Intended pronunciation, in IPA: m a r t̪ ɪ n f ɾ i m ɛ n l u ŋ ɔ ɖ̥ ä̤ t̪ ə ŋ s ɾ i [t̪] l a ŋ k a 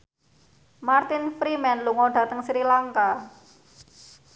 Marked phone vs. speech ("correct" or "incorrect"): incorrect